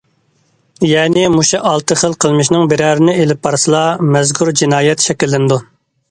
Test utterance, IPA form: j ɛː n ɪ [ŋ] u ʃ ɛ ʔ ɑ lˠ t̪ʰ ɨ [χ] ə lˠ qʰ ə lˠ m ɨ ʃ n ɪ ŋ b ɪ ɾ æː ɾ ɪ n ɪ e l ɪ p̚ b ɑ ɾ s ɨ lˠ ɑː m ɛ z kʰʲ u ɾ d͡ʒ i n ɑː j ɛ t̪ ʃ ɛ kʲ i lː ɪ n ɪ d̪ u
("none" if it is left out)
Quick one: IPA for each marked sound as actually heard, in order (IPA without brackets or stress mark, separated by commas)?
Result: m, χ